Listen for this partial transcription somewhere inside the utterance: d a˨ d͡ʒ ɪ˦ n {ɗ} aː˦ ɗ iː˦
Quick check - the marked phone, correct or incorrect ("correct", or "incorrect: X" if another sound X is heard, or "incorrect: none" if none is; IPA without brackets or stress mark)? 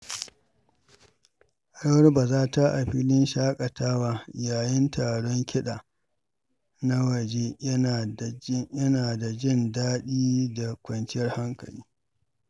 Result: incorrect: d